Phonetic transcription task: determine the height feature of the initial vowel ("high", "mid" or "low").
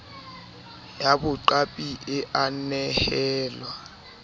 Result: low